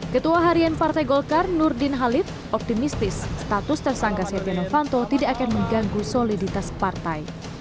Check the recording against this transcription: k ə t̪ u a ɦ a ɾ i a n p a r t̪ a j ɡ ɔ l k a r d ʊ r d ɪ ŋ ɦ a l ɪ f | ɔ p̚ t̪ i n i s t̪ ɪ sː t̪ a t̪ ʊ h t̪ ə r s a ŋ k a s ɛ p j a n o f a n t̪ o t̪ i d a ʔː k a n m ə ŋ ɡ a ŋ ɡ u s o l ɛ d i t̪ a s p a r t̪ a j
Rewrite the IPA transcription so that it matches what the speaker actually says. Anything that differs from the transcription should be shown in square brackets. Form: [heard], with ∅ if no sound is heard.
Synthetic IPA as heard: k ə t̪ u a ɦ a ɾ i a n p a r t̪ a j ɡ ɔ l k a r [n] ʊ r d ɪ [n] ɦ a l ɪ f | ɔ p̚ t̪ i [m] i s t̪ ɪ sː t̪ a t̪ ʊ [s] t̪ ə r s a ŋ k a s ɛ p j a n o f a n t̪ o t̪ i d a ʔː k a n m ə ŋ ɡ a ŋ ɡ u s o l [i] d i t̪ a s p a r t̪ a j

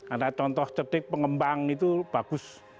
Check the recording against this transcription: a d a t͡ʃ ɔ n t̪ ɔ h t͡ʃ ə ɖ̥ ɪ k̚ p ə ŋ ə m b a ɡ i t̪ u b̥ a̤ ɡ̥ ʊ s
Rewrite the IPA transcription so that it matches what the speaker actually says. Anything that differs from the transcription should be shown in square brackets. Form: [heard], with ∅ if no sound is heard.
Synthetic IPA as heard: a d a t͡ʃ ɔ n t̪ ɔ h t͡ʃ ə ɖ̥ ɪ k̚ p ə ŋ ə m b a [ŋ] i t̪ u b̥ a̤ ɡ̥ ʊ s

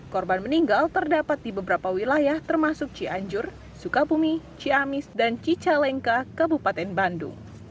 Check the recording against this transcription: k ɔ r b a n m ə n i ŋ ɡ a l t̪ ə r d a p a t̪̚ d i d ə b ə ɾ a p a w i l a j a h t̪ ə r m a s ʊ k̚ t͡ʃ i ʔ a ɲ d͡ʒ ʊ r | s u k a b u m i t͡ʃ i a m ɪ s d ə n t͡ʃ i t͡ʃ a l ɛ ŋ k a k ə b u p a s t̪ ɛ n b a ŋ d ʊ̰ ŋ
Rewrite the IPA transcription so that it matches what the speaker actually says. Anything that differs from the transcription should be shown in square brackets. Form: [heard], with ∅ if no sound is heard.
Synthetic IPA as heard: k ɔ r b a n m ə n i ŋ ɡ a l t̪ ə r d a p a t̪̚ d i [b] ə b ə ɾ a p a w i l a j a h t̪ ə r m a s ʊ k̚ t͡ʃ i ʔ a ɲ d͡ʒ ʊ r | s u k a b u m i t͡ʃ i a m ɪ s d [a] n t͡ʃ i t͡ʃ a l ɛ ŋ k a k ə b u p a [∅] t̪ ɛ n b a [n] d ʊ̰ ŋ

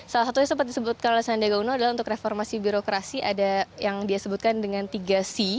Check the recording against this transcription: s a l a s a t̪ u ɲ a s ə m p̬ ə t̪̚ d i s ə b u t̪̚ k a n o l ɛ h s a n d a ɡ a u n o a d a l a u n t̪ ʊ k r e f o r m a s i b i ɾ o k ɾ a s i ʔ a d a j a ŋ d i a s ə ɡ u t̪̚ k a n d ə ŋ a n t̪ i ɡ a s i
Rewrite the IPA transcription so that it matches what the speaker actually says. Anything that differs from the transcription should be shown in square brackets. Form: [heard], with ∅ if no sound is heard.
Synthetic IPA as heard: s a l a s a t̪ u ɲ a s ə m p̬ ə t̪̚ d i s ə b u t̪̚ k a n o l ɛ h s a n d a ɡ a u n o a d a l a u n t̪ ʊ k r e f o r m a s i b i ɾ o k ɾ a s i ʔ a d a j a ŋ d i a s ə [b] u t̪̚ k a n d ə ŋ a n t̪ i ɡ a s i

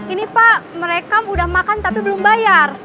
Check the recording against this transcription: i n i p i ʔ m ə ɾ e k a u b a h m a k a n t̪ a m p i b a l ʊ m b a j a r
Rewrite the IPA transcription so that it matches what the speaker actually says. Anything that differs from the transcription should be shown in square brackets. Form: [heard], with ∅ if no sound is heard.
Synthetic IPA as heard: i n i p [a] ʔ m ə ɾ e k a u [d] a h m a k a n t̪ a [∅] p i b [ə] l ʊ m b a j a r

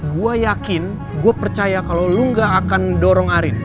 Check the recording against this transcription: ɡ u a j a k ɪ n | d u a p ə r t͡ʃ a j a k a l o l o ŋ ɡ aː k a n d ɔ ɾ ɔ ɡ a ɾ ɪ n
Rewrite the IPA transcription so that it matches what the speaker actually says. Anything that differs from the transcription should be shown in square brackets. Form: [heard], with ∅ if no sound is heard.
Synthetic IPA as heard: ɡ u a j a k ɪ n | [ɡ] u a p ə r t͡ʃ a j a k a l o l [u] ŋ ɡ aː k a n d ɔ ɾ ɔ [ŋ] a ɾ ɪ n

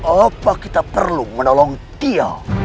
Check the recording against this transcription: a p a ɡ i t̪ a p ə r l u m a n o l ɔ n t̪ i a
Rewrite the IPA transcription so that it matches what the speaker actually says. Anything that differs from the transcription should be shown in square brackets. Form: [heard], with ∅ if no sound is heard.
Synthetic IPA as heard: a p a [k] i t̪ a p ə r l u m [ə] n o l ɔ [ŋ] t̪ i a

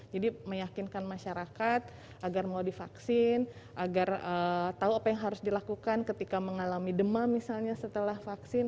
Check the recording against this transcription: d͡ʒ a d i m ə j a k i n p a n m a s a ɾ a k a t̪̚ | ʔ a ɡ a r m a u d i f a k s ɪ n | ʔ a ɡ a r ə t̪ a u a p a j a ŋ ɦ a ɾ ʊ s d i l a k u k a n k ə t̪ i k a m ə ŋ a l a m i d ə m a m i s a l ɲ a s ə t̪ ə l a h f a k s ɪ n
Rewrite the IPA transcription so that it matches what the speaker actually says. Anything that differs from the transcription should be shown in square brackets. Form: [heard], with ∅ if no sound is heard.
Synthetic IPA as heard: d͡ʒ a d i m ə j a k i n [k] a n m a [ʃ] a ɾ a k a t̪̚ | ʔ a ɡ a r m a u d i f a k s ɪ n | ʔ a ɡ a r ə t̪ a u a p a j a ŋ ɦ a ɾ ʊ s d i l a k u k a n k ə t̪ i k a m ə ŋ a l a m i d ə m a m i s a l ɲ a s ə t̪ ə l a h f a k s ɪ n

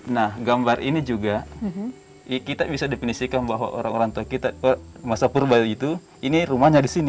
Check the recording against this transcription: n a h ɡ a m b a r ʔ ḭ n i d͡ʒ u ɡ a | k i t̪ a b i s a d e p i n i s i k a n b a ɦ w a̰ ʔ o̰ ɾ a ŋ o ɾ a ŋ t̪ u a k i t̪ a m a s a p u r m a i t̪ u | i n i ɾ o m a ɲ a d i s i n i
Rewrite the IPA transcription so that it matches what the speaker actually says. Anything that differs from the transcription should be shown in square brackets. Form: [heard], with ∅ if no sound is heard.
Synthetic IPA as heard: n a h ɡ a m b a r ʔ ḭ n i d͡ʒ u ɡ a | k i t̪ a b i s a d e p i n i s i k a n b a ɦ w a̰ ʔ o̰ ɾ a ŋ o ɾ a ŋ t̪ u a k i t̪ a m a s a p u r [b] a i t̪ u | i n i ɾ [u] m a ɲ a d i s i n i

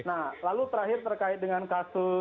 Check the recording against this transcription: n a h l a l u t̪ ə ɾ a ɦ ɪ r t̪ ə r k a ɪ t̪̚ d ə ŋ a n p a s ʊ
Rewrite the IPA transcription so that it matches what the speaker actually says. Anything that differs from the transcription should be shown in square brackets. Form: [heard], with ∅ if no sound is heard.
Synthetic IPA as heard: n a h l a l u t̪ ə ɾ a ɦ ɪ r t̪ ə r k a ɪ t̪̚ d ə ŋ a n [k] a s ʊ

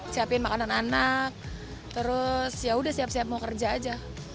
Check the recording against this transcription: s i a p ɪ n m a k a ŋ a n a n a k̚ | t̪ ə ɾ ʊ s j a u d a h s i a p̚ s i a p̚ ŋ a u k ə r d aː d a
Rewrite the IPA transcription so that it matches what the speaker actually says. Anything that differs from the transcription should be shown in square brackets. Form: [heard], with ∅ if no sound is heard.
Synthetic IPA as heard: s i a p ɪ n m a k a [n] a n a n a k̚ | t̪ ə ɾ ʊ s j a u d a h s i a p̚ s i a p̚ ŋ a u k ə r [d͡ʒ] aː [d͡ʒ] a

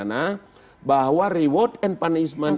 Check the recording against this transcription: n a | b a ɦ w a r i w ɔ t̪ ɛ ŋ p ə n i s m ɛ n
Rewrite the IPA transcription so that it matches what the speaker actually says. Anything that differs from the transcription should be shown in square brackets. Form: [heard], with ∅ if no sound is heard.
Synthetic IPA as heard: n a | b a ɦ w a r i w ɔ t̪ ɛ [n] p [a] n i s m [a] n

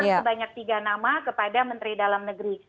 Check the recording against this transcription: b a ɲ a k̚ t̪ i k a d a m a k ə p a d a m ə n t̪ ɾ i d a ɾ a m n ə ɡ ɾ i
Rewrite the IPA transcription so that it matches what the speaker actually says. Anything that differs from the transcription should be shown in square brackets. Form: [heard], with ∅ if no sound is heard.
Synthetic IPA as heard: b a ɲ a k̚ t̪ i [ɡ] a [n] a m a k ə p a d a m ə n t̪ ɾ i d a [l] a m n ə ɡ ɾ i

